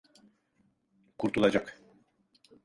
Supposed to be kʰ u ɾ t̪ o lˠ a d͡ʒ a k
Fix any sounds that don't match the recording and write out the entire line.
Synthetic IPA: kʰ u ɾ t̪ u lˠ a d͡ʒ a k